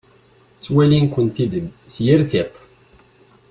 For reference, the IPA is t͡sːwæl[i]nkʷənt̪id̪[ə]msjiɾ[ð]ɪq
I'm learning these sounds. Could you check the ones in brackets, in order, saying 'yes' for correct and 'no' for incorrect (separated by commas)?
yes, yes, no